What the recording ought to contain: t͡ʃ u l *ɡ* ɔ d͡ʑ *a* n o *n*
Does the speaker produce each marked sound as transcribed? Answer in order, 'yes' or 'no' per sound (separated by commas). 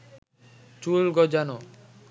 yes, yes, no